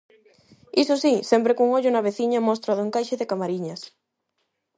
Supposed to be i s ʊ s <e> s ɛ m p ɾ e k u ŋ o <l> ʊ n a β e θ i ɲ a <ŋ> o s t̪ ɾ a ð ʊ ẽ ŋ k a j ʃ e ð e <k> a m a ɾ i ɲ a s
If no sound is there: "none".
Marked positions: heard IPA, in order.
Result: i, ʎ, m, k

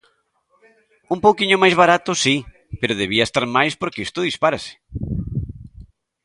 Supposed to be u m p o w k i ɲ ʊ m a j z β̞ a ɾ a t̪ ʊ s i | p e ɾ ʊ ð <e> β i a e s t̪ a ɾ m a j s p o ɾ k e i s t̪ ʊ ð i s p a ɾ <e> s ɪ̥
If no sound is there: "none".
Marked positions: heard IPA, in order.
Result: e, a

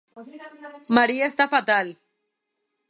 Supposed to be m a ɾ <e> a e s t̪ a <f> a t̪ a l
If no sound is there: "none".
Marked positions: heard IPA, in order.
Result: i, f

